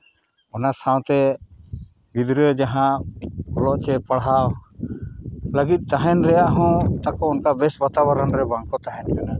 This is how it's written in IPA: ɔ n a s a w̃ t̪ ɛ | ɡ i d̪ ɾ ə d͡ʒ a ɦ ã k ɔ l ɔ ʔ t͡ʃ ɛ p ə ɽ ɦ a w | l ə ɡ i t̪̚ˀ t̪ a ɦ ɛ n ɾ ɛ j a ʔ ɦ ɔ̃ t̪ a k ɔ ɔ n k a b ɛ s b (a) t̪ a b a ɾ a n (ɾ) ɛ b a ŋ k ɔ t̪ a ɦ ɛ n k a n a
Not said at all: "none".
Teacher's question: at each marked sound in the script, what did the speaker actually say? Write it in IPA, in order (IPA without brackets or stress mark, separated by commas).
a, ɾ